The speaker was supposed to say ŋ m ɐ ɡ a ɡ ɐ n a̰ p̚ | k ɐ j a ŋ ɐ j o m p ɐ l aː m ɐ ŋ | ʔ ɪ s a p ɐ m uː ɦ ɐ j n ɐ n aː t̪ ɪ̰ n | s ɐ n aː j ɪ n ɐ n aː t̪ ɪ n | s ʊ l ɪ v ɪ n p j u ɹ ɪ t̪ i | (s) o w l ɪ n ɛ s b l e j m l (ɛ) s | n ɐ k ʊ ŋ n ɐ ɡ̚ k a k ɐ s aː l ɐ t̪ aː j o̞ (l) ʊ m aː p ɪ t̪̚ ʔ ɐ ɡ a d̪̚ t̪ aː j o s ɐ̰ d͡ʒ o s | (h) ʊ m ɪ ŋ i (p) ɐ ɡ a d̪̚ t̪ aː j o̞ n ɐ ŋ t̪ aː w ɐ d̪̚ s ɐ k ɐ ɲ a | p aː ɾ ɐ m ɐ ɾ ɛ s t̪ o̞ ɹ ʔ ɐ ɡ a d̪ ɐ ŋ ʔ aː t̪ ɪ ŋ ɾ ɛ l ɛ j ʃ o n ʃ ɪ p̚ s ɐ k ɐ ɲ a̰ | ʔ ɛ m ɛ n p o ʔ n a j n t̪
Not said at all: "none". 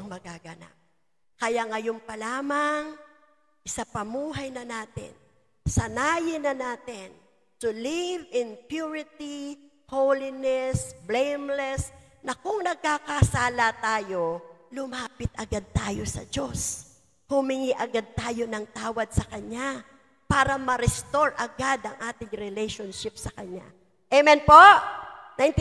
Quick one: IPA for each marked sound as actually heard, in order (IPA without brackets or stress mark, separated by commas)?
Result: h, ɛ, l, h, ʔ